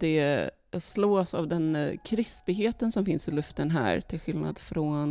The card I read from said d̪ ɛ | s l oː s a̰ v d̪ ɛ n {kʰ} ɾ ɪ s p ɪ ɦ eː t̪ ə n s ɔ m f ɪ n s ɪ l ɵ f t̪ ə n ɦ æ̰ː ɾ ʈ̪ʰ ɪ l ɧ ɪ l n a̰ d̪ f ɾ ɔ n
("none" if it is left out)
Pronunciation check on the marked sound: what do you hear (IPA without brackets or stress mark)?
kʰ